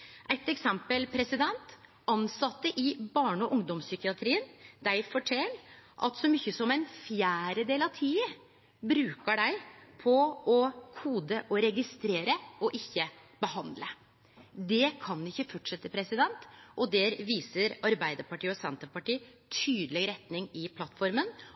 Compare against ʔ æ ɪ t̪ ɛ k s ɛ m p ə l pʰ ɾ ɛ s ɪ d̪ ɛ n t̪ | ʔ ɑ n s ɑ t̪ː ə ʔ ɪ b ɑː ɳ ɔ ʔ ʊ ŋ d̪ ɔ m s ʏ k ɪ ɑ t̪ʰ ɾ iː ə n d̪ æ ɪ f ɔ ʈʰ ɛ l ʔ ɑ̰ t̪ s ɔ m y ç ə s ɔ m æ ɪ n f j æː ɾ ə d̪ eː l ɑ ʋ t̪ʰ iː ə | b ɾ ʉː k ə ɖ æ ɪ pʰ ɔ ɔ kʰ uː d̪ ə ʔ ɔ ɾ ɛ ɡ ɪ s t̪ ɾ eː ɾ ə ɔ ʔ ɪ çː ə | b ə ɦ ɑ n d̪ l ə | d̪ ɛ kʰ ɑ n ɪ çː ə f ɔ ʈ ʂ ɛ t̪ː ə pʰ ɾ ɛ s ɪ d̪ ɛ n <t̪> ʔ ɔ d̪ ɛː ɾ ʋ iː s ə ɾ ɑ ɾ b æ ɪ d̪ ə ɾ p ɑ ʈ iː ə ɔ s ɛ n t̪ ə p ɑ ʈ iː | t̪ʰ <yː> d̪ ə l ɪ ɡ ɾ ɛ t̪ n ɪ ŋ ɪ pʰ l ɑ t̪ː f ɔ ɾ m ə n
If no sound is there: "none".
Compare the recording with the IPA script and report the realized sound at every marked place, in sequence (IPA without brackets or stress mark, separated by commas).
t̪, yː